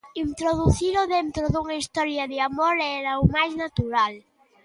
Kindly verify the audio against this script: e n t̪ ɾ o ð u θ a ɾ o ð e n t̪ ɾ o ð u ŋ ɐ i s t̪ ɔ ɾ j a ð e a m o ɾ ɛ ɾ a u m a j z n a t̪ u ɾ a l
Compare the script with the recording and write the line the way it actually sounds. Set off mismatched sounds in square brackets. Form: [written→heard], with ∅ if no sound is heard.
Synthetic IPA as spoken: [e→i] n t̪ ɾ o ð u θ [a→i] ɾ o ð e n t̪ ɾ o ð u ŋ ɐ i s t̪ ɔ ɾ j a ð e a m o ɾ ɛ ɾ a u m a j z n a t̪ u ɾ a l